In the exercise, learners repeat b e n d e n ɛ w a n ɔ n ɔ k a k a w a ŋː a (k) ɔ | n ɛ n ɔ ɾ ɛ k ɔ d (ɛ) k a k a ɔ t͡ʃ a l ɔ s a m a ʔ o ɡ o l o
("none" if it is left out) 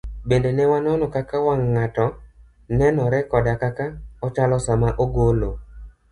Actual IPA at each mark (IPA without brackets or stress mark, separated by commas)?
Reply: t, a